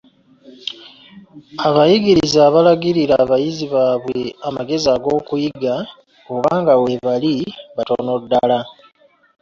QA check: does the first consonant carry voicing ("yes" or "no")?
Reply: yes